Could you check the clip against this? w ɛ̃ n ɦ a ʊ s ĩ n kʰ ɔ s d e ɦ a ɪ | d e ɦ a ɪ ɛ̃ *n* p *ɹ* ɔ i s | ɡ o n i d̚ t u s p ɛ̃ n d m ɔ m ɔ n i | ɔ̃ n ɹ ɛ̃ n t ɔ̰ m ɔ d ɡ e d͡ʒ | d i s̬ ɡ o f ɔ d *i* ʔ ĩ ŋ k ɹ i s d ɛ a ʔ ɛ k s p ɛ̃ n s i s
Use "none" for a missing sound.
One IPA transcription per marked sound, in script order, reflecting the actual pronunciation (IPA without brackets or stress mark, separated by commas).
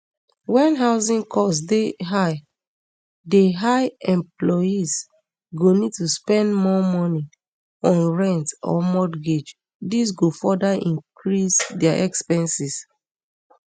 m, l, a